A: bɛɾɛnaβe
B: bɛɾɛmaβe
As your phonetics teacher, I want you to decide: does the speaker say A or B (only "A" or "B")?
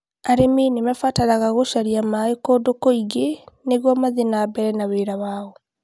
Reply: A